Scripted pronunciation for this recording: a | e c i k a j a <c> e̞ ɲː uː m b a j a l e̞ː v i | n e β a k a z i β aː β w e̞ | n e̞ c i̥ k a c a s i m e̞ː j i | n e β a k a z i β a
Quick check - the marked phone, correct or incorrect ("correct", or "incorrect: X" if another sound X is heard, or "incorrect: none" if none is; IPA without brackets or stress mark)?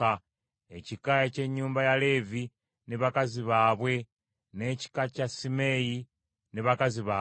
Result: correct